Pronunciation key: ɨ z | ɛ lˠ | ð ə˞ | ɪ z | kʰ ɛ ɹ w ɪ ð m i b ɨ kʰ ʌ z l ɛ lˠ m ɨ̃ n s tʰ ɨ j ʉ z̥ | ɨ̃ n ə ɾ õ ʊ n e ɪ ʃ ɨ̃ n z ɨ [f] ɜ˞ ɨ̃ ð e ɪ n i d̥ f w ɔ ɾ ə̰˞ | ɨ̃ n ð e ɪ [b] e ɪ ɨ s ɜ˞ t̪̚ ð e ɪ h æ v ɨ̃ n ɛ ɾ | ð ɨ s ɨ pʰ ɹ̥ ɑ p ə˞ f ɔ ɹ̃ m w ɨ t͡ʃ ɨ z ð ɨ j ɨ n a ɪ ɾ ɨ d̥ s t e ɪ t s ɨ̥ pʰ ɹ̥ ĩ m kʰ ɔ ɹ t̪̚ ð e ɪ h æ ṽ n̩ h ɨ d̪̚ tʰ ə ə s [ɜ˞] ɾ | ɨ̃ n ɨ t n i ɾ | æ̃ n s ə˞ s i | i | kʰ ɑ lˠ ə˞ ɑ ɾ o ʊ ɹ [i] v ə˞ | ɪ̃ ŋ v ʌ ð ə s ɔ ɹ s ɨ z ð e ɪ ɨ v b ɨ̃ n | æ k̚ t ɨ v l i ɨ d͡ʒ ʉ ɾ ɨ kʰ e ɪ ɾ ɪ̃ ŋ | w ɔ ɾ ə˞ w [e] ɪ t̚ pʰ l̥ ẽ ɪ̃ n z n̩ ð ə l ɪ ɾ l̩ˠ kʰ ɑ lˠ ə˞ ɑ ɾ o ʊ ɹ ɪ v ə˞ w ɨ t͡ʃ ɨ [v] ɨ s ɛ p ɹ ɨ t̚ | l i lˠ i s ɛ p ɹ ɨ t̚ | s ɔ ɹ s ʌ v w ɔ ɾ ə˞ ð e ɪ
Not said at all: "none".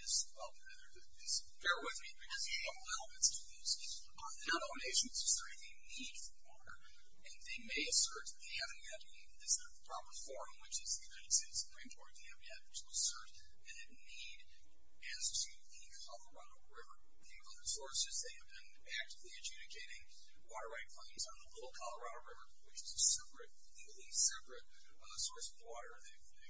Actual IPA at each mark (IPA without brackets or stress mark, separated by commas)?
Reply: s, m, ɜ˞, ɪ, a, z